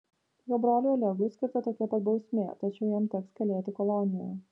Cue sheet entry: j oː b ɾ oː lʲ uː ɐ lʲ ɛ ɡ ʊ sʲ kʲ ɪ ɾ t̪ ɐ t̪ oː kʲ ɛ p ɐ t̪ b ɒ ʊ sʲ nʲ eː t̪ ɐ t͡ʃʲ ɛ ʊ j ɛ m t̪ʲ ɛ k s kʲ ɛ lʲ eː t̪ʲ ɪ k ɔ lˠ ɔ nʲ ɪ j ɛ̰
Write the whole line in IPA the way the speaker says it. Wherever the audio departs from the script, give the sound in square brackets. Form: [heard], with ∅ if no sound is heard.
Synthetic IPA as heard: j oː b ɾ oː lʲ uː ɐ lʲ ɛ ɡ ʊ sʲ kʲ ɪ ɾ t̪ ɐ t̪ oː kʲ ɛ p ɐ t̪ b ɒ ʊ sʲ [mʲ] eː t̪ ɐ t͡ʃʲ ɛ ʊ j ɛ m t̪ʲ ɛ k s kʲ ɛ lʲ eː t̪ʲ ɪ k ɔ lˠ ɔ nʲ ɪ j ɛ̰